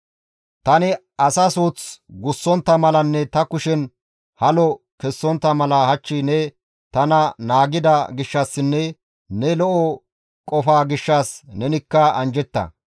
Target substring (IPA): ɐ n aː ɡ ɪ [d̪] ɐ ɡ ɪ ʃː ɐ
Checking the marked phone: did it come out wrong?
no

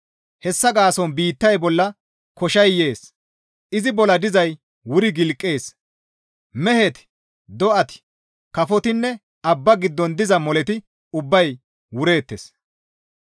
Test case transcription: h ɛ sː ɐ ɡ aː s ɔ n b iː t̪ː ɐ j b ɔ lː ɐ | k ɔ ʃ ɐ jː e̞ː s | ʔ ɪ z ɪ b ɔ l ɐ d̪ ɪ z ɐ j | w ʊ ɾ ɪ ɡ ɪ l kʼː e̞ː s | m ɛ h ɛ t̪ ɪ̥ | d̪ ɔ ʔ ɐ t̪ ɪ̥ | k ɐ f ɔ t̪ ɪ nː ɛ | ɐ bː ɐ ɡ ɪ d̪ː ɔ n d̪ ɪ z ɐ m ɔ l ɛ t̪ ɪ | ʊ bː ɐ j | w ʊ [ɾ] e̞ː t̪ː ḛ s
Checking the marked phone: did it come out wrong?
no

